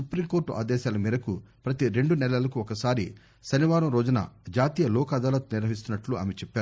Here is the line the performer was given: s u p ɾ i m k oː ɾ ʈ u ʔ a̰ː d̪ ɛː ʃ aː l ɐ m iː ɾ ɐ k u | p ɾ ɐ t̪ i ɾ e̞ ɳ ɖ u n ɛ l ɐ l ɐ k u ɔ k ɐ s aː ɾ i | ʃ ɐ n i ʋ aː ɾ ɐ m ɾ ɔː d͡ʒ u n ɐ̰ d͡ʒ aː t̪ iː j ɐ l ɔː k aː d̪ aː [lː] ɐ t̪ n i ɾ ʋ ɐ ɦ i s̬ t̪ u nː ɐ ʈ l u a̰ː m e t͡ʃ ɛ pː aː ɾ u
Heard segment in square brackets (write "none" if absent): l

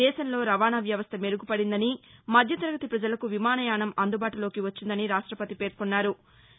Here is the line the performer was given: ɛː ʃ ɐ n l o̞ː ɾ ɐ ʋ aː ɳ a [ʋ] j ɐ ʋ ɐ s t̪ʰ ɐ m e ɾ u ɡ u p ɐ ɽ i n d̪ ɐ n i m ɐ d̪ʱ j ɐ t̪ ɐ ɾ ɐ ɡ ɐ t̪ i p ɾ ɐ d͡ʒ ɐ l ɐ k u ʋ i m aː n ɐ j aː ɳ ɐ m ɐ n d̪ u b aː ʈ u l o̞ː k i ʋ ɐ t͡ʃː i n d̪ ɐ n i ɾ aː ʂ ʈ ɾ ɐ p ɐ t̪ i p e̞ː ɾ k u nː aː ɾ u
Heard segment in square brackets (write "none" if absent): ʋ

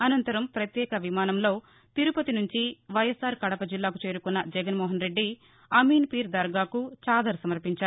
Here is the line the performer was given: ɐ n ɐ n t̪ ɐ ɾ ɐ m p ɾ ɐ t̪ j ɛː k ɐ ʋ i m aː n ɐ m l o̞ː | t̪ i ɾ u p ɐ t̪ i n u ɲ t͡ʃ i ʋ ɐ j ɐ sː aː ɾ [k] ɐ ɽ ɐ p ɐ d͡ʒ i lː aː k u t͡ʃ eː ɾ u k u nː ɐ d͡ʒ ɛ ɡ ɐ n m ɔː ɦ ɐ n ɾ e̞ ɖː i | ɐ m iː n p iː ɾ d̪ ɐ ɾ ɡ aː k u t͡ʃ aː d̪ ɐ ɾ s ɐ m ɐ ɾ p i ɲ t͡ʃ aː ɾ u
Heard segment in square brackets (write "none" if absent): k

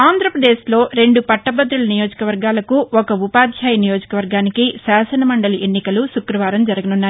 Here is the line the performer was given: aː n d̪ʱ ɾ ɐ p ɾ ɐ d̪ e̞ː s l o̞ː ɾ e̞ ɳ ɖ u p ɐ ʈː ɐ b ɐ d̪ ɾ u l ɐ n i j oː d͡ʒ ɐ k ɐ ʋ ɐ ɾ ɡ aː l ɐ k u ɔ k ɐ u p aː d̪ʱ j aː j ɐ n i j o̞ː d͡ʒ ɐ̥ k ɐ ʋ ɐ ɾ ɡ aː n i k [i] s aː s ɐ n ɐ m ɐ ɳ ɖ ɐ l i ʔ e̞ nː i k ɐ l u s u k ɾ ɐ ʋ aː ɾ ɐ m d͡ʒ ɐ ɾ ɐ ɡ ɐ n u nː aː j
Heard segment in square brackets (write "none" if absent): i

